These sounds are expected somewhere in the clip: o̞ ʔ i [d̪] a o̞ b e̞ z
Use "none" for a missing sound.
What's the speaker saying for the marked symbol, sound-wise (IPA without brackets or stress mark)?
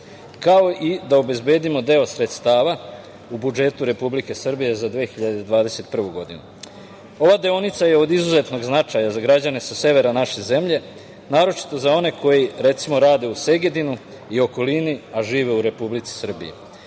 d̪